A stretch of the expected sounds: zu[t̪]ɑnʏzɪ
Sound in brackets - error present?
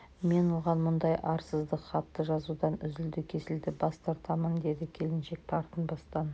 yes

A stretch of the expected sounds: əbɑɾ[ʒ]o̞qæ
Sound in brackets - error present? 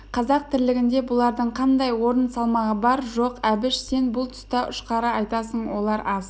no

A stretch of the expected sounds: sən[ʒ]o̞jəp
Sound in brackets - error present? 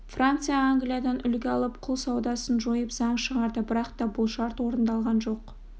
no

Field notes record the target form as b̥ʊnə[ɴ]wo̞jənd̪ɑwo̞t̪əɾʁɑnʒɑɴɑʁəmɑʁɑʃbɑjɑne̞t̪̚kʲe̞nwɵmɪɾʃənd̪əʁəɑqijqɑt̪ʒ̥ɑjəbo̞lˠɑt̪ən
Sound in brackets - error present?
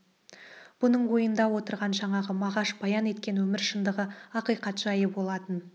no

